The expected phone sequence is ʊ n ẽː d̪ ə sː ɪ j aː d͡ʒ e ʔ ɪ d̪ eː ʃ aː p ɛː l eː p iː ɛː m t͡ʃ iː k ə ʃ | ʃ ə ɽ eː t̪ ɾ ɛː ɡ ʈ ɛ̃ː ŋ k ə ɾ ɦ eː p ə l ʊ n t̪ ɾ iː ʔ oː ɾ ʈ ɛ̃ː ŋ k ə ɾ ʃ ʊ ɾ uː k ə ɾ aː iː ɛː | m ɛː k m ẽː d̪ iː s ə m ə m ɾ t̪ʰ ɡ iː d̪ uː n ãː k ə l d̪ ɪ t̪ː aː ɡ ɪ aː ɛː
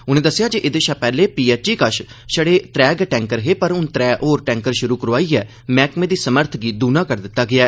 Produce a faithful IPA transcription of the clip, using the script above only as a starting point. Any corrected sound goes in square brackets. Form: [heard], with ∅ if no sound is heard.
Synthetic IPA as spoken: ʊ n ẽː d̪ ə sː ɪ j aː d͡ʒ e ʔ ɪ d̪ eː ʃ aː p ɛː l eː p iː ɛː [∅] t͡ʃ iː k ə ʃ | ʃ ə ɽ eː t̪ ɾ ɛː ɡ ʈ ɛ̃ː ŋ k ə ɾ ɦ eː p ə [ɾ] ʊ n t̪ ɾ [ɛː] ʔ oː ɾ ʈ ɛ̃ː ŋ k ə ɾ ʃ ʊ ɾ uː k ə ɾ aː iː ɛː | m ɛː k m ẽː d̪ iː s ə m ə [∅] ɾ t̪ʰ ɡ iː d̪ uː n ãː k ə [ɾ] d̪ ɪ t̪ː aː ɡ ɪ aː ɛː